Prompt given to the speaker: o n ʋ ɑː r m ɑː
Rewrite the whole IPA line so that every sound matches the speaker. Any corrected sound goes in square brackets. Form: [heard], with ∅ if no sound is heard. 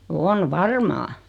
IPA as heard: o n ʋ [ɑ] r m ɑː